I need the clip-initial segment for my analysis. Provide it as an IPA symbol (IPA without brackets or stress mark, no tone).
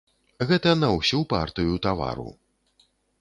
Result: ɣ